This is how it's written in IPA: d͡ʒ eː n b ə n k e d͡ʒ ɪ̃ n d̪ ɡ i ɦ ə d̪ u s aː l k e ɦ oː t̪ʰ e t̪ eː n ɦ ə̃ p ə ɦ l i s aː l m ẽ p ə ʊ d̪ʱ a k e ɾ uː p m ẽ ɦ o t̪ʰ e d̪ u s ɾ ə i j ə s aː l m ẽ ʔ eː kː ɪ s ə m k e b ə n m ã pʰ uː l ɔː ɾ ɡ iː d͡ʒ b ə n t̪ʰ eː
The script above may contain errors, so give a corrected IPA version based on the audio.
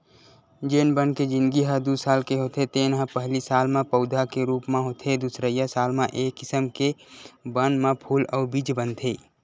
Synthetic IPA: d͡ʒ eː n b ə n k e d͡ʒ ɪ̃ n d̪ ɡ i ɦ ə d̪ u s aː l k e ɦ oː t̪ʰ e t̪ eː n ɦ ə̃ p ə ɦ l i s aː l m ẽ p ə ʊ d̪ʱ a k e ɾ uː p m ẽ ɦ o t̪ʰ e d̪ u s ɾ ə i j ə s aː l m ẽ ʔ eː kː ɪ s ə m k e b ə n m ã pʰ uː l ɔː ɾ b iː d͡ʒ b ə n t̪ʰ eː